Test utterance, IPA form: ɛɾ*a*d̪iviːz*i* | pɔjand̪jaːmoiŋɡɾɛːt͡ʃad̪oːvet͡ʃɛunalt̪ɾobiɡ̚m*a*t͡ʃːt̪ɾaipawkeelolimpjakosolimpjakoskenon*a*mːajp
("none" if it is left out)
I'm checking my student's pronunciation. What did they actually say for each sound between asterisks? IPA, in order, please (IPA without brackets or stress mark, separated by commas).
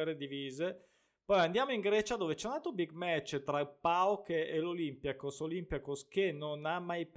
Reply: e, e, ɛ, a